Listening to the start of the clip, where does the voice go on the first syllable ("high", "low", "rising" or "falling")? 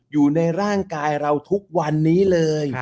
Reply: low